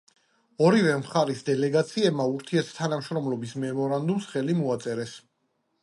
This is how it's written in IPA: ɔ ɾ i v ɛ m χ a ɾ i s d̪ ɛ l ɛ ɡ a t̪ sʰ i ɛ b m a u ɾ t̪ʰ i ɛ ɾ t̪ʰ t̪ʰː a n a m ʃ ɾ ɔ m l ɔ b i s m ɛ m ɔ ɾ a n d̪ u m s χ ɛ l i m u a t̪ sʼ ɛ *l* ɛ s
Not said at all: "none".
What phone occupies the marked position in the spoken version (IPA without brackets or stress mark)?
ɾ